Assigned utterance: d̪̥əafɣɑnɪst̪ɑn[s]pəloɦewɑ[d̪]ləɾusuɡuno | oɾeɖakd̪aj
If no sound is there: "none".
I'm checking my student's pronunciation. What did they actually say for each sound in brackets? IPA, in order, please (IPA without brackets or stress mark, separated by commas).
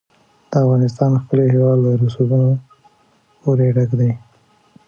x, d̪